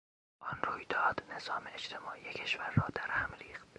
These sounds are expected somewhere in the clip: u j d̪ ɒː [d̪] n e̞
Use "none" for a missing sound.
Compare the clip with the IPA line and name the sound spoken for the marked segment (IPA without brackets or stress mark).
d̪